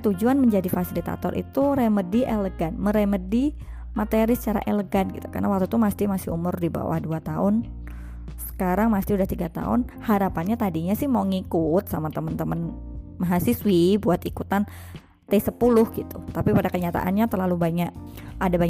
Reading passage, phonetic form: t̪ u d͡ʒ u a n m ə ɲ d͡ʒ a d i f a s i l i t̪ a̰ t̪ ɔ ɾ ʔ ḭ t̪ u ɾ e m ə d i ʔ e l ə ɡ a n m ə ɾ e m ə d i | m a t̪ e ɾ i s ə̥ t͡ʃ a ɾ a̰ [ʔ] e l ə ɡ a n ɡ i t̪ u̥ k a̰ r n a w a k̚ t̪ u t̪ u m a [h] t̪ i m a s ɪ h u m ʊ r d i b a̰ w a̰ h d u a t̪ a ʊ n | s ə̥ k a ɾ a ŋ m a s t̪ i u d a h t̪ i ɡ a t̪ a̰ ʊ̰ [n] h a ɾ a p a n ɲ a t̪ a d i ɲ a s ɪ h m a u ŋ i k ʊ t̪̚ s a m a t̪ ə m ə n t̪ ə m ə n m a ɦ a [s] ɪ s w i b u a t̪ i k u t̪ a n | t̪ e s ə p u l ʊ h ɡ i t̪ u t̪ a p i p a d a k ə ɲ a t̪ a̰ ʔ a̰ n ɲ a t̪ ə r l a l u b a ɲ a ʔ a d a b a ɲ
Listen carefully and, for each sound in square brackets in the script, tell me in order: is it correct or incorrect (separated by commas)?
correct, incorrect, correct, correct